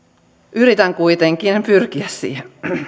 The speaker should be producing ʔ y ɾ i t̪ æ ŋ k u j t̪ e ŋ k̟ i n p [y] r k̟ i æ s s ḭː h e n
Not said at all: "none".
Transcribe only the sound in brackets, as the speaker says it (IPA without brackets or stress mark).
y